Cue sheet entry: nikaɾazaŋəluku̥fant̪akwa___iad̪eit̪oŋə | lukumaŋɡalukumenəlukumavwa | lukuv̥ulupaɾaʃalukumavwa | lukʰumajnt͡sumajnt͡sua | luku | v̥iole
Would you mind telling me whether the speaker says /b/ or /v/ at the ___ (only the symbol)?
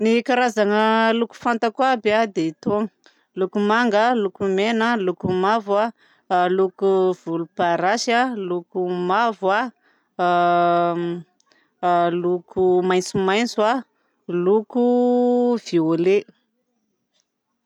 b